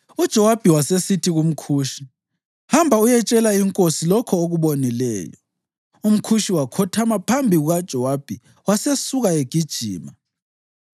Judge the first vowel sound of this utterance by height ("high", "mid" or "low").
high